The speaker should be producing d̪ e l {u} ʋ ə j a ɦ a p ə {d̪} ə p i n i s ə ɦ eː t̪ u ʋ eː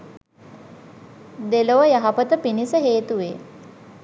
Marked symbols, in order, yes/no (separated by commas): no, no